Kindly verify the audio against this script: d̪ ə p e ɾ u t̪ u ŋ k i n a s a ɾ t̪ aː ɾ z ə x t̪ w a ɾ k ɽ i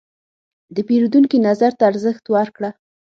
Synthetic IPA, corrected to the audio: d̪ ə p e ɾ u d̪ u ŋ k i n a z a ɾ t̪ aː ɾ z ə x t̪ w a ɾ k ɽ a

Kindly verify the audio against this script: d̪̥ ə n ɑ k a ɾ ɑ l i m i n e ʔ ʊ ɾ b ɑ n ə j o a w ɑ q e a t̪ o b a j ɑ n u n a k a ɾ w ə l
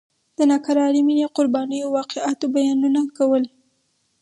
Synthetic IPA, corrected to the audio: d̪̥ ə n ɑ k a ɾ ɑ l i m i n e q ʊ ɾ b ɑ n ə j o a w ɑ q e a t̪ o b a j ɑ n u n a k a w ə l

